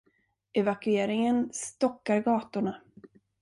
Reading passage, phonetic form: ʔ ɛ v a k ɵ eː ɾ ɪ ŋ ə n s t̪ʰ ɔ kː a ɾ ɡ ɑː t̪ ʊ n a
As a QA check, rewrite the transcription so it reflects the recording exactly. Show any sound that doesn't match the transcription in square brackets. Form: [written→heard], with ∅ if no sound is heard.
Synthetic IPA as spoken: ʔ ɛ v a k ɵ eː ɾ ɪ ŋ ə n s [t̪ʰ→t̪] ɔ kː a ɾ ɡ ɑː t̪ ʊ [n→ɳ] a